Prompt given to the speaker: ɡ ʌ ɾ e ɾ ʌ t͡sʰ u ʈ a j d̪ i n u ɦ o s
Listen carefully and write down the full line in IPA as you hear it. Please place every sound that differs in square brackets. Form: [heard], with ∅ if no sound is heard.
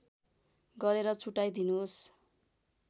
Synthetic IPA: ɡ ʌ ɾ e ɾ ʌ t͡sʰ u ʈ a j d̪ i n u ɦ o s